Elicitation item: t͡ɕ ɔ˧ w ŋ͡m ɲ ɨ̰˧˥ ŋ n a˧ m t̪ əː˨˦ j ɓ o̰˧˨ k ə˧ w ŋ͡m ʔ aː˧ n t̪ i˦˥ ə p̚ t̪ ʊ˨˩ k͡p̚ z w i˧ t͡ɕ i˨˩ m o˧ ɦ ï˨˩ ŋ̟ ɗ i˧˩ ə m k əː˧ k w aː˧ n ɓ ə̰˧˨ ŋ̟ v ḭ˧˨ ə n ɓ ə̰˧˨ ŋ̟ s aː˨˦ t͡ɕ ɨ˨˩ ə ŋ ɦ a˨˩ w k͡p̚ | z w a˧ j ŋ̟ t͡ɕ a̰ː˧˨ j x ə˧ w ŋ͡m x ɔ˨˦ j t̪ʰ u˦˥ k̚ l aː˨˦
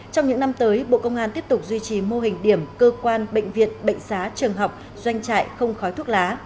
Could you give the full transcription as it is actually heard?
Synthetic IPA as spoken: t͡ɕ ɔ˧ w ŋ͡m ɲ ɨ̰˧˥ ŋ n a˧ m t̪ əː˨˦ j ɓ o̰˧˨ k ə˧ w ŋ͡m ʔ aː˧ n t̪ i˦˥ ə p̚ t̪ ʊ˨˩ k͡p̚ z w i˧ t͡ɕ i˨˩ m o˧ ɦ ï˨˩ ŋ̟ ɗ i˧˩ ə m k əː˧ k w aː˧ n ɓ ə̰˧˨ ŋ̟ v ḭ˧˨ ə n ɓ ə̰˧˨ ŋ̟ s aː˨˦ t͡ɕ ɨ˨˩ ə ŋ ɦ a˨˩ w k͡p̚ | z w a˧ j ŋ̟ t͡ɕ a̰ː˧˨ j x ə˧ w ŋ͡m x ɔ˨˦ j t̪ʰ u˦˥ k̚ l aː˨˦